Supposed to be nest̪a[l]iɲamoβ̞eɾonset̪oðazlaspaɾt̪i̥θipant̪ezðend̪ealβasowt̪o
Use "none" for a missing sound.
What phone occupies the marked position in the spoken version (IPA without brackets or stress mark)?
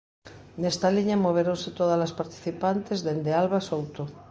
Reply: l